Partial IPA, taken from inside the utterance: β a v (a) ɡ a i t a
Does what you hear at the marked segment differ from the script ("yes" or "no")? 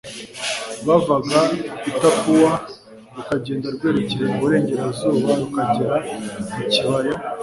no